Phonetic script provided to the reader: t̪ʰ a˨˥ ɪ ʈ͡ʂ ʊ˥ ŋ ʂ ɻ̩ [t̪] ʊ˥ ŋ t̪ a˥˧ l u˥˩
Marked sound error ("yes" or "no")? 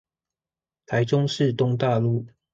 no